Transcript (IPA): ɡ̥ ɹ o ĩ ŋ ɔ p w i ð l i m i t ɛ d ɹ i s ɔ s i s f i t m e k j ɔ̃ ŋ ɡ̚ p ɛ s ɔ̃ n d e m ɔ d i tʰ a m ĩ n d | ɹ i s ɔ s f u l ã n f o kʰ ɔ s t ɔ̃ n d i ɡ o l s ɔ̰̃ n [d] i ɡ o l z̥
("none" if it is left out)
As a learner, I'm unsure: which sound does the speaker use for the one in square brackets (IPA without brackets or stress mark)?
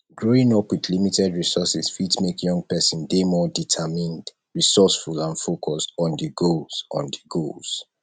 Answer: d